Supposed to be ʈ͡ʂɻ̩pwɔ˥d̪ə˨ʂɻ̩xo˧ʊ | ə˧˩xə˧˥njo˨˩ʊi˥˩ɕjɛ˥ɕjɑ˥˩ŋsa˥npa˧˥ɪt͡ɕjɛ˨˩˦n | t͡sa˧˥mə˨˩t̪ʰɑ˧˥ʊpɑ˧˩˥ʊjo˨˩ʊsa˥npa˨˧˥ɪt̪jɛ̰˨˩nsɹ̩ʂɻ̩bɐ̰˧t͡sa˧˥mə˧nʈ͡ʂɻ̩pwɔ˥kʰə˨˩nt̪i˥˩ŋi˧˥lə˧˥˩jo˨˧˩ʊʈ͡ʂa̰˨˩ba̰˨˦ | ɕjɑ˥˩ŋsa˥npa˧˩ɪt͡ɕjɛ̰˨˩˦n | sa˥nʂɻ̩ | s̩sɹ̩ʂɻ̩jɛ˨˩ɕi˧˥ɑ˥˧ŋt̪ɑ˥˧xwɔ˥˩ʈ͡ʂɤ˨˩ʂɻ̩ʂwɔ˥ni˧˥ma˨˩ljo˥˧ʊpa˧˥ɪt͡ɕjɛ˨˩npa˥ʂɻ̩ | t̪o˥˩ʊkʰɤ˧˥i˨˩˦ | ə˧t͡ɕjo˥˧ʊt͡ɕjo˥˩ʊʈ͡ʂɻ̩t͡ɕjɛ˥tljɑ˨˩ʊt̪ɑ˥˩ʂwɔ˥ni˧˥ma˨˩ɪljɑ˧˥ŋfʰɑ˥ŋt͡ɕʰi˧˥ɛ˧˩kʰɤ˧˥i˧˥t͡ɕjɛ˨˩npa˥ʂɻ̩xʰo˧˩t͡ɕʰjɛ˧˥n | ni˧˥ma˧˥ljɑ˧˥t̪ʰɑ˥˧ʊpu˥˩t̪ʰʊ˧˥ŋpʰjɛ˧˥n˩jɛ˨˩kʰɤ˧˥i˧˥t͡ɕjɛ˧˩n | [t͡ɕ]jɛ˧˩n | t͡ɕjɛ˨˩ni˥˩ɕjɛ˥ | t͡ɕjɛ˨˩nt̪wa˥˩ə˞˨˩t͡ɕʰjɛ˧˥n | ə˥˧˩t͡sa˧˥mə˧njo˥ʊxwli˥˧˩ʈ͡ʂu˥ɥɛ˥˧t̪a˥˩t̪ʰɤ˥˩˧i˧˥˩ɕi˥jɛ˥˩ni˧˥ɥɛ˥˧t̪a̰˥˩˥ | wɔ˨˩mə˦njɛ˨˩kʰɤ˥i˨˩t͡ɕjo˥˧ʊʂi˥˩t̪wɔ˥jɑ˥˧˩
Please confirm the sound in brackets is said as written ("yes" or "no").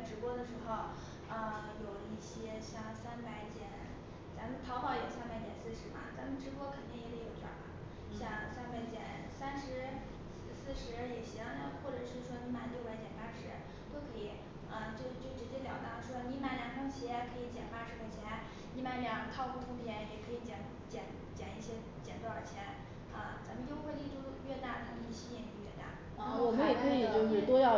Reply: yes